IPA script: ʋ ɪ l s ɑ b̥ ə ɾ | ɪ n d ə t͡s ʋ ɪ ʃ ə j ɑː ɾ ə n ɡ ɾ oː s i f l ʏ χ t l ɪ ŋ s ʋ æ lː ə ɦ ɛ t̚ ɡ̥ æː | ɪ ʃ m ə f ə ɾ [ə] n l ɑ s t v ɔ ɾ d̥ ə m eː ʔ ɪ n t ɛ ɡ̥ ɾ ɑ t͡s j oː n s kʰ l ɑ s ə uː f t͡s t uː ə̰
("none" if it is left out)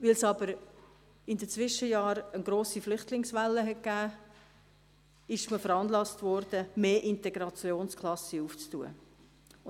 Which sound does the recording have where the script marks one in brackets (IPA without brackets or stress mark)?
ɑ